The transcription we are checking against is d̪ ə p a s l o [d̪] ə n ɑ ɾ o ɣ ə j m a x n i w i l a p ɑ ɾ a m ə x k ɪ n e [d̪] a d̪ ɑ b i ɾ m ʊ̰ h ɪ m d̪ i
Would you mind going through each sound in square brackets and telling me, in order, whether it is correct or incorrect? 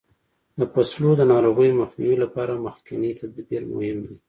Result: correct, incorrect

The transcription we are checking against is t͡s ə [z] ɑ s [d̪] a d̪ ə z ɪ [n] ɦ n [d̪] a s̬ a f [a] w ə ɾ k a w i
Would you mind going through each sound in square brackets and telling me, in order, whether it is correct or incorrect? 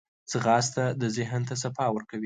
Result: incorrect, incorrect, incorrect, incorrect, incorrect

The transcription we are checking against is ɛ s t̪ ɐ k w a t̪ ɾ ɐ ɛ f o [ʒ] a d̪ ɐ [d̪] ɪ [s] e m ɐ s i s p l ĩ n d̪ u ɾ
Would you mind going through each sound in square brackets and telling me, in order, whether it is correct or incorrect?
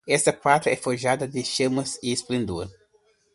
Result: correct, correct, incorrect

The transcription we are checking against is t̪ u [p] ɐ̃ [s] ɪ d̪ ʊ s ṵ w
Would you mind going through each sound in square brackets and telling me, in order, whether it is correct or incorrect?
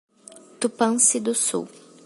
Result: correct, correct

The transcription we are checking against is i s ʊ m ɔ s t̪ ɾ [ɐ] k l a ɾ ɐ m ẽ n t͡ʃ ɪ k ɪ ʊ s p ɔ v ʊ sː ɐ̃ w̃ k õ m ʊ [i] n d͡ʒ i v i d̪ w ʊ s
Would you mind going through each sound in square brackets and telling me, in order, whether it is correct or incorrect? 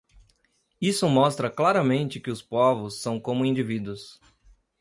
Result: correct, incorrect

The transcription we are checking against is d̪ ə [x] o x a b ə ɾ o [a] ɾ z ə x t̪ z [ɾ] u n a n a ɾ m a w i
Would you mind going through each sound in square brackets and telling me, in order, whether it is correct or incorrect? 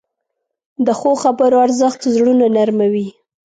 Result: correct, correct, incorrect

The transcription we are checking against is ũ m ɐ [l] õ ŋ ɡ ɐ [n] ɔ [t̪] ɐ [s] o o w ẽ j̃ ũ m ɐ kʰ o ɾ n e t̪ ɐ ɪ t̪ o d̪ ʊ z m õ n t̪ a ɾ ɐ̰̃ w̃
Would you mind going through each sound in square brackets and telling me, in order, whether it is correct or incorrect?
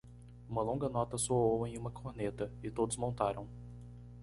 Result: correct, correct, correct, correct

